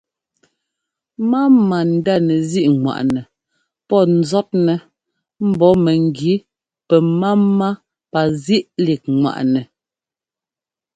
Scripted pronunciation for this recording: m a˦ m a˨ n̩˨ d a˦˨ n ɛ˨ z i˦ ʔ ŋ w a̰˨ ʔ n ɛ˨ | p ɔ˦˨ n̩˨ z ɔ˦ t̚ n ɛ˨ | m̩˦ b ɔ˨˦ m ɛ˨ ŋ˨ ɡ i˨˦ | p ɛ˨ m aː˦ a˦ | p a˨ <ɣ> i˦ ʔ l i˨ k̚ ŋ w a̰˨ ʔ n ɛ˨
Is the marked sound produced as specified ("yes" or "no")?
no